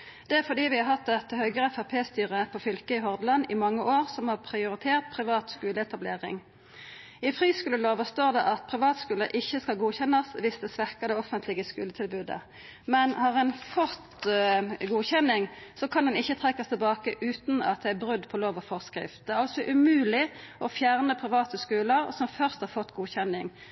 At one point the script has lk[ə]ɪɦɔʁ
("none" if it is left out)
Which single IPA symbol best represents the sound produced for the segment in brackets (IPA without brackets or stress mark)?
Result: ə